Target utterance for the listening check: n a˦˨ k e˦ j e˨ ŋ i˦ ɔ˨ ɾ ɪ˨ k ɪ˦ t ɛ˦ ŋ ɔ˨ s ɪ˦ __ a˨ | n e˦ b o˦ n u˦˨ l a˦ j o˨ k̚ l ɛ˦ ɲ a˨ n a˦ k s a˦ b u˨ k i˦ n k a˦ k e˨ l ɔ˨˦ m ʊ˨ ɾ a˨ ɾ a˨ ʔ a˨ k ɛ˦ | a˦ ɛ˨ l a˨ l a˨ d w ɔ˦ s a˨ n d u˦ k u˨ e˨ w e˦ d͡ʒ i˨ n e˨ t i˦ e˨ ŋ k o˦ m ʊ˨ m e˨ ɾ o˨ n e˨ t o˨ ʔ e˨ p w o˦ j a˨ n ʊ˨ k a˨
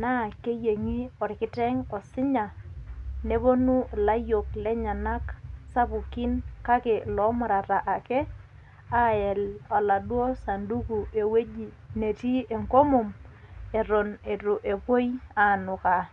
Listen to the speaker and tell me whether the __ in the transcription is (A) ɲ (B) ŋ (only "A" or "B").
A